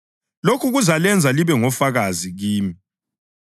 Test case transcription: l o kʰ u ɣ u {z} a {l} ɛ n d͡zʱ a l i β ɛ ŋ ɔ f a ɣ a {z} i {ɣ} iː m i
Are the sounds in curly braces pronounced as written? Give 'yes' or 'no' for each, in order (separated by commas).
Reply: yes, yes, yes, yes